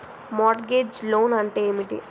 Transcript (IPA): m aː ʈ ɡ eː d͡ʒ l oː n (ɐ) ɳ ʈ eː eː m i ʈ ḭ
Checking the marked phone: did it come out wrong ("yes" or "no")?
no